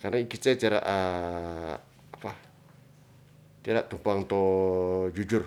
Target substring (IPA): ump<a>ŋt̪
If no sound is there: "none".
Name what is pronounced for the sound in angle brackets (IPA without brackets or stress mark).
a